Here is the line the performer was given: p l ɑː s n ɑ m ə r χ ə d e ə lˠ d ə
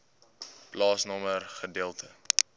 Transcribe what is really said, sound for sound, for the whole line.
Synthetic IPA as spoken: p l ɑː s n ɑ m ə r χ ə d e ə lˠ t ə